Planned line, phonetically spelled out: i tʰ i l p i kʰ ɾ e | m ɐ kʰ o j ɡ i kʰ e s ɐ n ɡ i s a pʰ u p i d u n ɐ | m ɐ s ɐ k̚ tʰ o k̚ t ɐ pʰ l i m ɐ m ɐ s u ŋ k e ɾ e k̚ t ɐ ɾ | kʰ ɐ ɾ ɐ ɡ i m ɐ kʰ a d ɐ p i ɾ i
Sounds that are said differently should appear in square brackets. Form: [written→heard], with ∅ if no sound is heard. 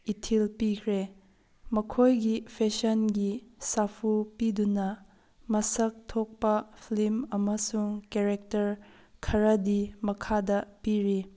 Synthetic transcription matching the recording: i tʰ i l p i kʰ ɾ e | m ɐ kʰ o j ɡ i [kʰ→pʰ] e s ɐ n ɡ i s a pʰ u p i d u n ɐ | m ɐ s ɐ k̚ tʰ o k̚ [t→p] ɐ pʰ l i m ɐ m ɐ s u ŋ k e ɾ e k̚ t ɐ ɾ | kʰ ɐ ɾ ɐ [ɡ→d] i m ɐ kʰ a d ɐ p i ɾ i